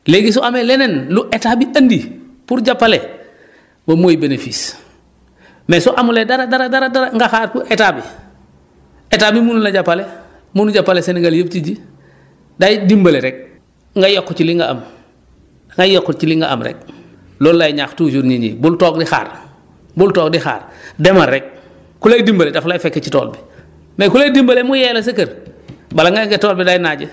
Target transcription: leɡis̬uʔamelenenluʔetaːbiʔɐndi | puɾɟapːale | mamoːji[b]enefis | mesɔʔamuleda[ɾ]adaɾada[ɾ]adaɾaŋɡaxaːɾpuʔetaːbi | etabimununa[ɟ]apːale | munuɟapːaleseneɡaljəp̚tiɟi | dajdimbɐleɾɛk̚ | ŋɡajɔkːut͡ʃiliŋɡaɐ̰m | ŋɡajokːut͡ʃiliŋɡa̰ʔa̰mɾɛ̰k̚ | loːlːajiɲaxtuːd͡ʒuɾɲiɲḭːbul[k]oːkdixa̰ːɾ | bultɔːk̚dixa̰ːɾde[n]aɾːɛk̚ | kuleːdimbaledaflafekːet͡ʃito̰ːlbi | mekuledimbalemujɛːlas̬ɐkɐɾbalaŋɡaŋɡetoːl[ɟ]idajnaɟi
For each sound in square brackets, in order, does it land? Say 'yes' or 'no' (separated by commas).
yes, yes, yes, yes, no, no, no